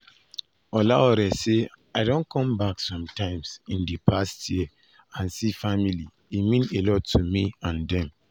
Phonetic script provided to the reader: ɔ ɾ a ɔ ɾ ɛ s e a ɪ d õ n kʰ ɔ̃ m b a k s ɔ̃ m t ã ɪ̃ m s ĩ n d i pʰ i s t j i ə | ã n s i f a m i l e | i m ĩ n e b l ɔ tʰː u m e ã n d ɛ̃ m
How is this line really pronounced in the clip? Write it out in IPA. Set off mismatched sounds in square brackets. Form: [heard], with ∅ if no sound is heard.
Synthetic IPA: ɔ [l] a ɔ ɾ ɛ s e a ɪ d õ n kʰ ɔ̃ m b a k s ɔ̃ m t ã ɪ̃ m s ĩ n d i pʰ [a] s t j i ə | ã n s i f a m i l [i] | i m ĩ n e [∅] l ɔ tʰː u m [i] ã n d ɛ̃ m